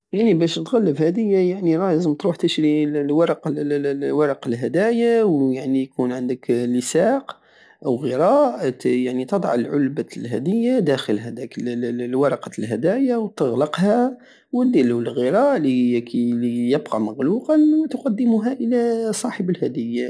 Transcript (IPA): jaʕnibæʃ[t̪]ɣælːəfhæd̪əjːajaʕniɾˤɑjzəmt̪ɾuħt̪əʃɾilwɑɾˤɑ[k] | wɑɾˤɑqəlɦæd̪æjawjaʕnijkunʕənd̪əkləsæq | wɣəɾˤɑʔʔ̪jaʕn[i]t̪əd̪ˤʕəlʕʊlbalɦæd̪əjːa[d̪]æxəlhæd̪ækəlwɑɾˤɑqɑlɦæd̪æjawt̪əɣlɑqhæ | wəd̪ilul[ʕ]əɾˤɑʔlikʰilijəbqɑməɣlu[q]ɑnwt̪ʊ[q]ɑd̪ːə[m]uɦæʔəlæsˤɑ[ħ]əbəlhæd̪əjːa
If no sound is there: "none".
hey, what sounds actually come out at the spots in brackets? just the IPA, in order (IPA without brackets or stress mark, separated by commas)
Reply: t̪, q, i, d̪, ɣ, q, q, m, ħ